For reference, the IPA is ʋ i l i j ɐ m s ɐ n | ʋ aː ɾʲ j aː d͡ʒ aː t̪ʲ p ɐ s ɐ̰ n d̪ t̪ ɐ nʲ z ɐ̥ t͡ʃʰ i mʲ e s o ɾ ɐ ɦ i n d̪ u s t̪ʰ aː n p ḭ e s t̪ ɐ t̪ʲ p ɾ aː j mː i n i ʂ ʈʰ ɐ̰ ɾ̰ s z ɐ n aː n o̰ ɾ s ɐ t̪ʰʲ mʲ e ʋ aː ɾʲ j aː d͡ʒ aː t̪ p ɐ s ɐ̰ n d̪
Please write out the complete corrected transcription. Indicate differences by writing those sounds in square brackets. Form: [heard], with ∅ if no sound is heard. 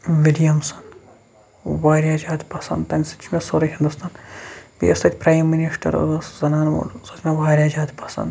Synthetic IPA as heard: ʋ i l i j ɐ m s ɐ n | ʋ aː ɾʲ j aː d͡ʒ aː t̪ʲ p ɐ s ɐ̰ n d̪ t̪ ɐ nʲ [s] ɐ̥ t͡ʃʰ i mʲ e s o ɾ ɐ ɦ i n d̪ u s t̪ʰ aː n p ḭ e s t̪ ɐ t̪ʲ p ɾ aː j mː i n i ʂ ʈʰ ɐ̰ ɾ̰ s z ɐ n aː n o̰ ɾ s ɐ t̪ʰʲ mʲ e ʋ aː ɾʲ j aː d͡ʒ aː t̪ p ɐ s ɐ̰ n d̪